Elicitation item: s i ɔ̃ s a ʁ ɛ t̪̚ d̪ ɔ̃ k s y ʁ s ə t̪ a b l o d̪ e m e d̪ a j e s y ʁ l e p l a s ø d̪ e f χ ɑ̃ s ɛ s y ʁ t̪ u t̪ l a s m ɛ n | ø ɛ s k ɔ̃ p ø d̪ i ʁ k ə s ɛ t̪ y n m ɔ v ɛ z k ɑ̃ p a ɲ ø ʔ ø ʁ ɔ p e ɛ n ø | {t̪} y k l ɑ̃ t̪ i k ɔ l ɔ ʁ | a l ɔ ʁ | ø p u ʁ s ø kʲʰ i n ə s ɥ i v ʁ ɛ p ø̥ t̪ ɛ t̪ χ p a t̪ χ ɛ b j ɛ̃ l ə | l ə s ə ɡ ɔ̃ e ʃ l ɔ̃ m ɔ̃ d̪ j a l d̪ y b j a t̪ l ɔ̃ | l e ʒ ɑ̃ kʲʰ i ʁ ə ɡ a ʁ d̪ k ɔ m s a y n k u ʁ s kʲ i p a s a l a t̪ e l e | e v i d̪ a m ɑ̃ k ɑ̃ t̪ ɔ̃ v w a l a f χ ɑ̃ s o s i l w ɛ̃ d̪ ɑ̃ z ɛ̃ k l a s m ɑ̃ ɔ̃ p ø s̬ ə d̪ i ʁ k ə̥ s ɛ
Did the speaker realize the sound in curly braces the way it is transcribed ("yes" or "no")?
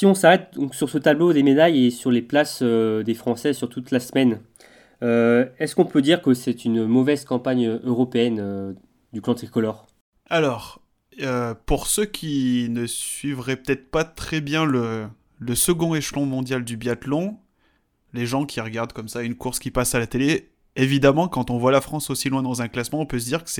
no